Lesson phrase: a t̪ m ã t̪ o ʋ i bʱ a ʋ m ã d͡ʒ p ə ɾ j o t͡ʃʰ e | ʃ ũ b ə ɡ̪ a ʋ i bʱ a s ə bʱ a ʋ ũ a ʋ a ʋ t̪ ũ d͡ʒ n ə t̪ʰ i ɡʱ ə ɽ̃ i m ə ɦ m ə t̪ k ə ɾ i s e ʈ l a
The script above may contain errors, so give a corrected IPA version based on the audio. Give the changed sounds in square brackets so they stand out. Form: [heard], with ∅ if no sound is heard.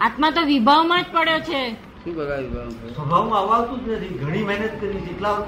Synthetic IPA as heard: a t̪ m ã t̪ o ʋ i bʱ a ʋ m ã d͡ʒ p ə [ɽ] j o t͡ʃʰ e | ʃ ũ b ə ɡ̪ a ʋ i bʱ a s ə bʱ a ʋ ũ a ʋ a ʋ t̪ ũ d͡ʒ n ə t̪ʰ i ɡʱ ə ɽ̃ i m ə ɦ [n] ə t̪ k ə ɾ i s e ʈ l a